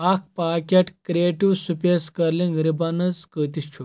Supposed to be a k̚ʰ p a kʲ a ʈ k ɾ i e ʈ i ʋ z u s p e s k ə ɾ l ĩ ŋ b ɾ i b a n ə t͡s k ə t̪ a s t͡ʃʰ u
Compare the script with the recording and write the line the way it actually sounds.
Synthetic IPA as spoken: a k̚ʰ p a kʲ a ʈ k ɾ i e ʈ i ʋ s u p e s k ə ɾ l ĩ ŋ ɡ ɾ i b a n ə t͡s k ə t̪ i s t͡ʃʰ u